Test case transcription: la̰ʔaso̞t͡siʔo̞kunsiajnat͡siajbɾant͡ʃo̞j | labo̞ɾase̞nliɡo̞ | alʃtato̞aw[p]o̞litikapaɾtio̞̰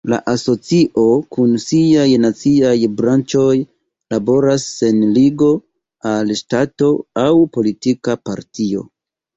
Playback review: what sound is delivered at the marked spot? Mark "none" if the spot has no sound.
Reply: p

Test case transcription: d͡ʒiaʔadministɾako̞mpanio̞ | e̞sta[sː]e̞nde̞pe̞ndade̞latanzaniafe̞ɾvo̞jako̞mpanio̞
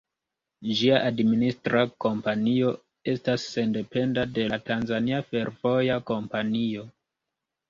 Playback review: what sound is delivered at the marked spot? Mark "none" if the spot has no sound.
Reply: sː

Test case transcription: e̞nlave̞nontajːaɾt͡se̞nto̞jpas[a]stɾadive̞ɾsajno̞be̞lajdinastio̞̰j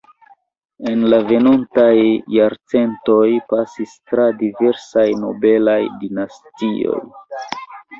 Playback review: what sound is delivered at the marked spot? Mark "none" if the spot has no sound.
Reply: i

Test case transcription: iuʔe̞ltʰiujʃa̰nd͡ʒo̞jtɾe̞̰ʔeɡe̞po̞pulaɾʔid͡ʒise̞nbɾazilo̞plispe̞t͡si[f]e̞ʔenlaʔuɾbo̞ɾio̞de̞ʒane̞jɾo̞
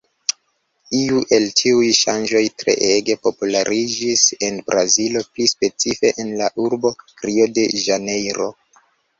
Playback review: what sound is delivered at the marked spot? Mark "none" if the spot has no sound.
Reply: f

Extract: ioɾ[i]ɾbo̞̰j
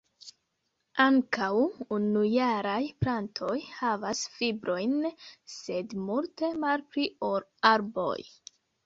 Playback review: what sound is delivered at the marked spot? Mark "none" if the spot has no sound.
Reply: a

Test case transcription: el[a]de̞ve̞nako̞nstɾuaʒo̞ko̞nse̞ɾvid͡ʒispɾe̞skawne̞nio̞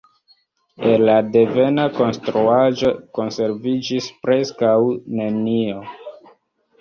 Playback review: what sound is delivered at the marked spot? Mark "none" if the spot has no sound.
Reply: a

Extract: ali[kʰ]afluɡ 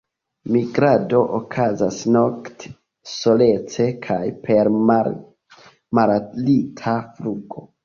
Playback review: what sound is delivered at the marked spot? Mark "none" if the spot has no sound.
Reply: tʰ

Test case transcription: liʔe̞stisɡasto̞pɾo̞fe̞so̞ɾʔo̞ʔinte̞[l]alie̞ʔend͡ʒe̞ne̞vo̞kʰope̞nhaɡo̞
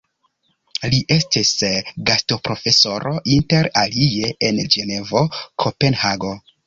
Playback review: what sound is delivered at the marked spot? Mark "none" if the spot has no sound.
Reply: ɾ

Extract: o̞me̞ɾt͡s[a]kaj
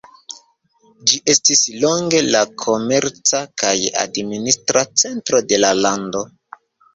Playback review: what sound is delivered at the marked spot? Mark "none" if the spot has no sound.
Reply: a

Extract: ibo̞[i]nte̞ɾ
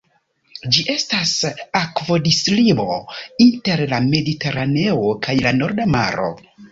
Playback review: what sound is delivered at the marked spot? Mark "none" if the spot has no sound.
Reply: i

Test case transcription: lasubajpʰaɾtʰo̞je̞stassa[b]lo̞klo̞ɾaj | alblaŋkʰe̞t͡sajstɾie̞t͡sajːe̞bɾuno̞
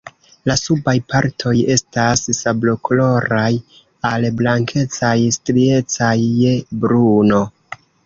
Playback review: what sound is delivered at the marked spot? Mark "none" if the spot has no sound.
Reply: b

